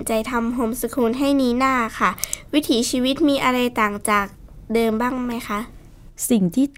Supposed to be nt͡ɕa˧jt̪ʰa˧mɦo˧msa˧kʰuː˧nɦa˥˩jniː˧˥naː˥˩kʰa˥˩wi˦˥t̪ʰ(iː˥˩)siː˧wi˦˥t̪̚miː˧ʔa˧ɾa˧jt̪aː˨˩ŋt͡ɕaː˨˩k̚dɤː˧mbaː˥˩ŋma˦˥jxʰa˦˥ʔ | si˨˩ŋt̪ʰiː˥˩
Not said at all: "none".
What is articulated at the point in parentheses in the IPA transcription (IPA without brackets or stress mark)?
iː˩˦